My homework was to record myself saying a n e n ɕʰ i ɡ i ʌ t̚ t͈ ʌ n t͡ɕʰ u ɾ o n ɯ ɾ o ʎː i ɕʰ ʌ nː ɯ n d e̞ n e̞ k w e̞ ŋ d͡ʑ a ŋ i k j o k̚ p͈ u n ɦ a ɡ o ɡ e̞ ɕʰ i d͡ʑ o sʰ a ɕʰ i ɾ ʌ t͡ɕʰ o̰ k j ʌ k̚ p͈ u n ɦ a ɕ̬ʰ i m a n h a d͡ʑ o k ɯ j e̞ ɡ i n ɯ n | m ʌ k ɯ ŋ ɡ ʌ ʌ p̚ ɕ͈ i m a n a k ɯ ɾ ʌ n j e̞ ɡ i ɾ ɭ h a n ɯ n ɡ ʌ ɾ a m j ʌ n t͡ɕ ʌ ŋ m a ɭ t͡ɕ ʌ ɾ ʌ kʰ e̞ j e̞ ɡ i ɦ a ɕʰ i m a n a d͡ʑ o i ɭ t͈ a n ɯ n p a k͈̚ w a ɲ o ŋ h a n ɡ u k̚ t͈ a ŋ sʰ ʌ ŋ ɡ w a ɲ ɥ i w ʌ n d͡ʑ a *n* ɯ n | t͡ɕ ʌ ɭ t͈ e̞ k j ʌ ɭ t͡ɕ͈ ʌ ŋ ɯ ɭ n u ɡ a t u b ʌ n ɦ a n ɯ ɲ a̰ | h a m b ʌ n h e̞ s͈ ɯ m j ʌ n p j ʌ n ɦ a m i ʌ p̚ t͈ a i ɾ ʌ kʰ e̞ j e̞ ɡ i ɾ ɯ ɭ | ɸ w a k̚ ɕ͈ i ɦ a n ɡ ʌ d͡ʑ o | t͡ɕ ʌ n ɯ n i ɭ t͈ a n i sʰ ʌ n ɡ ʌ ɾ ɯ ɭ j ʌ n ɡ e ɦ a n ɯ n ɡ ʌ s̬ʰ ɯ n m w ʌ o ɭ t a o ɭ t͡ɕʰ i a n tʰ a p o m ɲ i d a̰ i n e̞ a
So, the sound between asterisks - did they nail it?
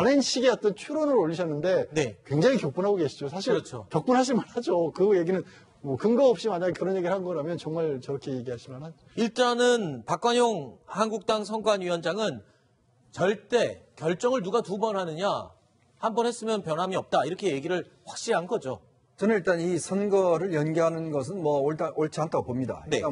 no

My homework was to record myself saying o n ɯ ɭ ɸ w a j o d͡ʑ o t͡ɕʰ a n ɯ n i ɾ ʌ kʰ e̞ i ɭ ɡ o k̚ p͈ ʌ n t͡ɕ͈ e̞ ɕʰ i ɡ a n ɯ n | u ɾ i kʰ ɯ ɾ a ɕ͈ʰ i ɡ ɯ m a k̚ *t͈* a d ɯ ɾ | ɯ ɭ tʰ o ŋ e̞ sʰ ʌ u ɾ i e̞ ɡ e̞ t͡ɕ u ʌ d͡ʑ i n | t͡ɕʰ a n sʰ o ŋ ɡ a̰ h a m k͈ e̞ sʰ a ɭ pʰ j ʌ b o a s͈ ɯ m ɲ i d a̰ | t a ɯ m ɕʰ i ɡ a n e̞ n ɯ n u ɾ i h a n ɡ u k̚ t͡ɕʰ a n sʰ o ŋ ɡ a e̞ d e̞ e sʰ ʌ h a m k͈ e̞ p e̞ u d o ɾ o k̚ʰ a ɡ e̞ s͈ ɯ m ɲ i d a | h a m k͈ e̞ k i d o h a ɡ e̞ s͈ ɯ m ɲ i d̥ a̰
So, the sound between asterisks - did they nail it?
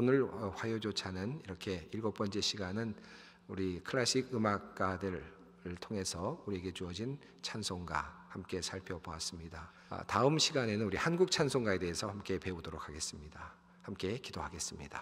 no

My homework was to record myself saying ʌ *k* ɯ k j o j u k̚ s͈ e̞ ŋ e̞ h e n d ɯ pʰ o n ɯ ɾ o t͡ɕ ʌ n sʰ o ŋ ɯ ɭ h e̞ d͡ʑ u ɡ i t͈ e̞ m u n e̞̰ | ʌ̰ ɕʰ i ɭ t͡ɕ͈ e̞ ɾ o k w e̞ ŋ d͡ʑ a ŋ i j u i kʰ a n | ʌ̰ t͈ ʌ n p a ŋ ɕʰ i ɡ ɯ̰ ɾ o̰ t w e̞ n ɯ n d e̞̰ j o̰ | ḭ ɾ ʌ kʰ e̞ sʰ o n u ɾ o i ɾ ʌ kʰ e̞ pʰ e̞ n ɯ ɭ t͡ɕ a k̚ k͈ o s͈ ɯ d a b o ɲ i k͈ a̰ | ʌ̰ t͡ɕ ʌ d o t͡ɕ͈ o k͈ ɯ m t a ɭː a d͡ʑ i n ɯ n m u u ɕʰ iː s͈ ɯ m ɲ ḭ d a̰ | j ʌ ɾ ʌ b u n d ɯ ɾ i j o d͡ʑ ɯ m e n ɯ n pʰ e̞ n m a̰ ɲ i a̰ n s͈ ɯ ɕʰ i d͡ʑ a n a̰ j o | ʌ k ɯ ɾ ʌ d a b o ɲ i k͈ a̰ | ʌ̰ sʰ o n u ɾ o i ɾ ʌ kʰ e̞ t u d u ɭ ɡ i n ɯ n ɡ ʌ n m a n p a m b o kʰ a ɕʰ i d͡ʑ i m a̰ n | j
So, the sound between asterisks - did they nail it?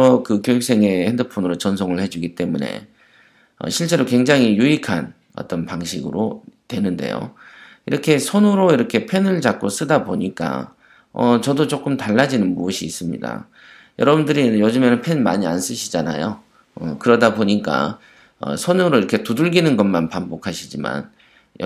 yes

